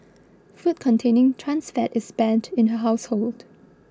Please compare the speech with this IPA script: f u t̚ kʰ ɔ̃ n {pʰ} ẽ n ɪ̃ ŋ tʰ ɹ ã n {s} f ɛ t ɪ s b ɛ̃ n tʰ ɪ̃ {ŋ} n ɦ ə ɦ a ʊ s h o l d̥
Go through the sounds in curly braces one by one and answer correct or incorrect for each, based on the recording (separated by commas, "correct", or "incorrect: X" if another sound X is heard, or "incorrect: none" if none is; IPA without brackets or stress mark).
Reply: incorrect: tʰ, correct, incorrect: none